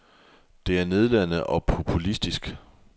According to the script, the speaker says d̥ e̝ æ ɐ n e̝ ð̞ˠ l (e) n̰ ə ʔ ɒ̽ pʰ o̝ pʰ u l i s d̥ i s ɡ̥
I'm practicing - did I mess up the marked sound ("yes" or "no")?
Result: yes